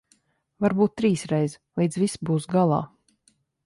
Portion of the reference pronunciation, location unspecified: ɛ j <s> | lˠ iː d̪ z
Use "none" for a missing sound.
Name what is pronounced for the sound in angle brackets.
z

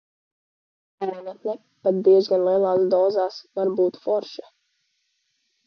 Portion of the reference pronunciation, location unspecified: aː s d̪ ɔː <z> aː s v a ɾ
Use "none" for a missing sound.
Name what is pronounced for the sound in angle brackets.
z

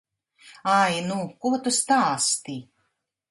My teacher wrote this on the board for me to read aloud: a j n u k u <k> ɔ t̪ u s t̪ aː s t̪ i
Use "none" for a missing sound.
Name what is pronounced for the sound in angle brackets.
none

